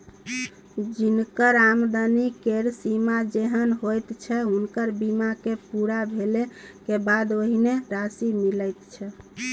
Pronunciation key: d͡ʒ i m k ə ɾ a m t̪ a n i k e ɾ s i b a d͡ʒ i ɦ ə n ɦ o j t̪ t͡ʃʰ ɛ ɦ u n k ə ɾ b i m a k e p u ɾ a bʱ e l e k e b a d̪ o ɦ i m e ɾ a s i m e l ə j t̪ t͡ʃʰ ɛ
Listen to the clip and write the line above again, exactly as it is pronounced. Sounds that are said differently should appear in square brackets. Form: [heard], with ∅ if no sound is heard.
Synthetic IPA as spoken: d͡ʒ i [n] k ə ɾ a m [d̪] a n i k e ɾ s i [m] a d͡ʒ [e] ɦ ə n ɦ o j t̪ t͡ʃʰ ɛ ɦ u n k ə ɾ b i m a k e p u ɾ a bʱ e l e k e b a d̪ o ɦ i [n] e ɾ a s i m [i] l ə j t̪ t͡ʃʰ ɛ